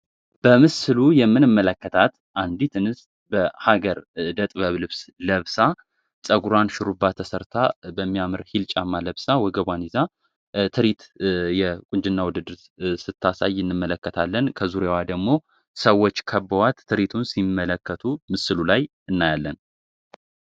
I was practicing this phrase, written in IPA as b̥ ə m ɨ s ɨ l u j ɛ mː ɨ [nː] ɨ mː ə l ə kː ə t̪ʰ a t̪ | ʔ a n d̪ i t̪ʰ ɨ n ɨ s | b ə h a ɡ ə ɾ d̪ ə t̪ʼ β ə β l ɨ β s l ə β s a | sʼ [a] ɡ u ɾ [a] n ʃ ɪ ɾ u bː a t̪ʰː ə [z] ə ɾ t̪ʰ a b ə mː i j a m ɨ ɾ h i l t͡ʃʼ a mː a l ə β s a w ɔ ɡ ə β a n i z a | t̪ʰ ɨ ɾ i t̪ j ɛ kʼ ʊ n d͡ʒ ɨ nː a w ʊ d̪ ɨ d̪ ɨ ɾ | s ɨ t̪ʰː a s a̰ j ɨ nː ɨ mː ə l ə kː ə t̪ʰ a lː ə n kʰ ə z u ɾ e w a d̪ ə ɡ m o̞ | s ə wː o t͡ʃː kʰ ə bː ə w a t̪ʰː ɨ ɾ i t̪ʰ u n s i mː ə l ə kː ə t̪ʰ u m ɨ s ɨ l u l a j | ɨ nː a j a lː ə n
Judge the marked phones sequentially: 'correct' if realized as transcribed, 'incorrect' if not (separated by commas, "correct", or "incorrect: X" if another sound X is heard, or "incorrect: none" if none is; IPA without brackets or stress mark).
incorrect: n, incorrect: ə, correct, incorrect: s